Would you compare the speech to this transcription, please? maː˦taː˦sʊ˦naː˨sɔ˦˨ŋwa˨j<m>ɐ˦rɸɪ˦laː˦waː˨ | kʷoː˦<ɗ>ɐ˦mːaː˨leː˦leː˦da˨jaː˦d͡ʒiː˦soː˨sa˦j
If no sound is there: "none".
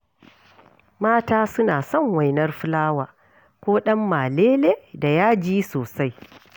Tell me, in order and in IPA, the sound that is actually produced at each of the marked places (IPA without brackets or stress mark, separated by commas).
n, ɗ